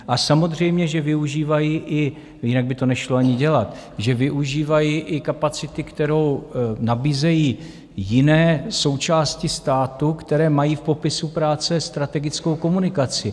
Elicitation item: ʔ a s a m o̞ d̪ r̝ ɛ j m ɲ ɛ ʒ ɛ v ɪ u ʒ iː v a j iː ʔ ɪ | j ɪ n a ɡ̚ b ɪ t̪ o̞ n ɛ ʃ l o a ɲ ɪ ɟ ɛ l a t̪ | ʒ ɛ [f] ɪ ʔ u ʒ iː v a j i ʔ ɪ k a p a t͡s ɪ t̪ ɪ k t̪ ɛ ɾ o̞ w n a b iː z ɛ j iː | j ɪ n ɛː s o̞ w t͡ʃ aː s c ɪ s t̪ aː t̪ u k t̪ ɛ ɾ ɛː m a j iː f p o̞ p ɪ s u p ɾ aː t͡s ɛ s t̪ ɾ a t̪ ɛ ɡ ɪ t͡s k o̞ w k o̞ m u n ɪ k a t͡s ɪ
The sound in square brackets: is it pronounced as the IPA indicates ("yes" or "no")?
no